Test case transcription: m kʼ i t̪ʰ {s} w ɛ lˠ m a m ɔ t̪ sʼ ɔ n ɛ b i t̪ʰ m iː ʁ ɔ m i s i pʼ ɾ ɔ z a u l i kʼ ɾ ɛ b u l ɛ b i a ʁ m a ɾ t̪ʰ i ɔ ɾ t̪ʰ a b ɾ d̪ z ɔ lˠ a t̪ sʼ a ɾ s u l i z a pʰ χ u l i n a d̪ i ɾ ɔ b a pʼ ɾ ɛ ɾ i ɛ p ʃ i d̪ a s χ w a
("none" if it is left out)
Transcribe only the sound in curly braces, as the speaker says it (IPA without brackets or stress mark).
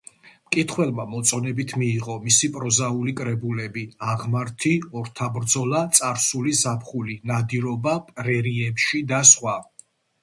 χ